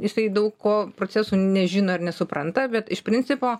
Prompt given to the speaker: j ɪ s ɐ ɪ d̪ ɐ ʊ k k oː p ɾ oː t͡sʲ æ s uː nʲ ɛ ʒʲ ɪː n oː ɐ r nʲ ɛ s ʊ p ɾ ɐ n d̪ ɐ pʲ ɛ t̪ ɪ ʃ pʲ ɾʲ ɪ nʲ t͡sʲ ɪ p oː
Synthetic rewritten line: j ɪ s ɐ ɪ d̪ ɐ ʊ k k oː p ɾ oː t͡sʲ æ s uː nʲ ɛ ʒʲ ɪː n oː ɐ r nʲ ɛ s ʊ p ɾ ɐ n t̪ ɐ bʲ ɛ t̪ ɪ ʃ pʲ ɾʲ ɪ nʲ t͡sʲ ɪ p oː